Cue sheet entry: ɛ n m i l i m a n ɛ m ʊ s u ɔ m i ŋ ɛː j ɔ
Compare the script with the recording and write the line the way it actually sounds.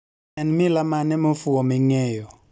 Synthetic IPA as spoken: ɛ n m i l a m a n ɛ m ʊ f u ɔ m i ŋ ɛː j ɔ